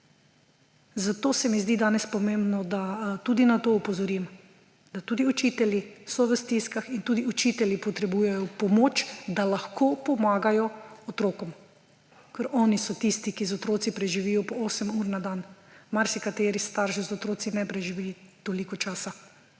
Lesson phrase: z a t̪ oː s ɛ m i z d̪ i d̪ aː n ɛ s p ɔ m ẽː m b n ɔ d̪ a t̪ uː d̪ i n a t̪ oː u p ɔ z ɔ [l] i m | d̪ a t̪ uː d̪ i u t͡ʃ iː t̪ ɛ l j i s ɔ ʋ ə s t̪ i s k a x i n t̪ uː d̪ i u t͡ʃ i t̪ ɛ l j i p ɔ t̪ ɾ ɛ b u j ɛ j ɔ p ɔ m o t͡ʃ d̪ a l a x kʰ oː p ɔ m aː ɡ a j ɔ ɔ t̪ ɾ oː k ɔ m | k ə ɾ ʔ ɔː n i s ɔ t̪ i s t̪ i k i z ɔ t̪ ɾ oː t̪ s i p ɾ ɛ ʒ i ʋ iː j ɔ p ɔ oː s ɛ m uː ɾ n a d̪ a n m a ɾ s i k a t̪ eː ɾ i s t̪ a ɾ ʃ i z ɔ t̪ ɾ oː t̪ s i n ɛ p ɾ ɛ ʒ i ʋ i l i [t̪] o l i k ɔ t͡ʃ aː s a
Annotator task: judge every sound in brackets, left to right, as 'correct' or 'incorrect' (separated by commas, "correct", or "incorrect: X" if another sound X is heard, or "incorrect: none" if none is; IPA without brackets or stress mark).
incorrect: ɾ, correct